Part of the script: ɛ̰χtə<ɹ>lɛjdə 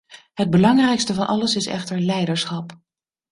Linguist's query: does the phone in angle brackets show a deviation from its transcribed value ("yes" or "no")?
no